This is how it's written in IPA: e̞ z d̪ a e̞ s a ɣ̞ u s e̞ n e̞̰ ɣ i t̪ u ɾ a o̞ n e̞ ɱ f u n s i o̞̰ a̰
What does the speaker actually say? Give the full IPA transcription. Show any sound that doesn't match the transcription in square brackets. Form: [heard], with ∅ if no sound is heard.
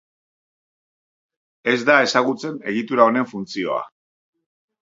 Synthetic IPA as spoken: e̞ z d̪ a e̞ s a ɣ̞ u [t͡s] e̞ n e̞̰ ɣ i t̪ u ɾ a o̞ n e̞ ɱ f u n [t͡s] i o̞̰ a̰